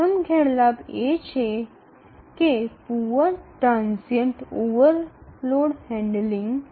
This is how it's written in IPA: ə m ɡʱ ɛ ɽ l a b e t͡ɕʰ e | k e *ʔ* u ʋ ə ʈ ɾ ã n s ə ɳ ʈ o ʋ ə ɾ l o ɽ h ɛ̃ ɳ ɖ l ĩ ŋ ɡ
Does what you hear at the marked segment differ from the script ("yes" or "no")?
yes